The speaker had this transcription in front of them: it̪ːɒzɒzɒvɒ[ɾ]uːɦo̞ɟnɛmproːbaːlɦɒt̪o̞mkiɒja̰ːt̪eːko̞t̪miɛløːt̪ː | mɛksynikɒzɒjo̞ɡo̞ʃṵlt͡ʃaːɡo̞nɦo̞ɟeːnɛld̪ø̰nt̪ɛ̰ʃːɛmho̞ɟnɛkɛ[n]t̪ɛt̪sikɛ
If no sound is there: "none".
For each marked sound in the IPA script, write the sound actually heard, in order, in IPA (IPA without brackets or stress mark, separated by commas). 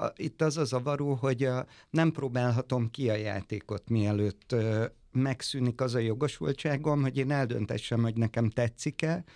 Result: ɾ, m